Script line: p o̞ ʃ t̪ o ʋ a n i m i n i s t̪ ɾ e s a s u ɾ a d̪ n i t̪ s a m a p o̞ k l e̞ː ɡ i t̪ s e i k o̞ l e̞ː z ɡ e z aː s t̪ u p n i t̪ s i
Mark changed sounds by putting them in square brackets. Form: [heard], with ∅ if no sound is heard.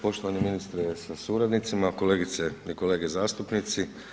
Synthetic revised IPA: p o̞ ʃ t̪ o ʋ a n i m i n i s t̪ ɾ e s a s u ɾ a d̪ n i t̪ s [i] m a [k] o̞ [∅] l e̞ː ɡ i t̪ s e i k o̞ l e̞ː [∅] ɡ e z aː s t̪ u p n i t̪ s i